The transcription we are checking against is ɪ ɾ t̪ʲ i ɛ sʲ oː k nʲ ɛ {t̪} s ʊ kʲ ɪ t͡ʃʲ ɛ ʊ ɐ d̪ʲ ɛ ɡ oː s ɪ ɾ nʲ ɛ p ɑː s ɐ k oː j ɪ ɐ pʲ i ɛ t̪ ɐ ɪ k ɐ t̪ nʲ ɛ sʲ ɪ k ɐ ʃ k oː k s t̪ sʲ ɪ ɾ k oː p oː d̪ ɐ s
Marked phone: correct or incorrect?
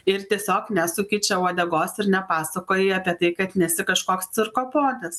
incorrect